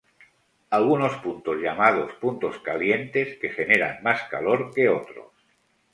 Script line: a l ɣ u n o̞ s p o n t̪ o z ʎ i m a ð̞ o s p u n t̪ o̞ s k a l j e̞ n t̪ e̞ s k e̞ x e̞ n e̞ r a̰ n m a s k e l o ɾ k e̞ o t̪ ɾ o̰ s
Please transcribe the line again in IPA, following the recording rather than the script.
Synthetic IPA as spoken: a l ɣ u n o̞ s p u n t̪ o z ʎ a m a ð̞ o s p u n t̪ o̞ s k a l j e̞ n t̪ e̞ s k e̞ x e̞ n e̞ ɾ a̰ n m a s k a l o ɾ k e̞ o t̪ ɾ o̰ s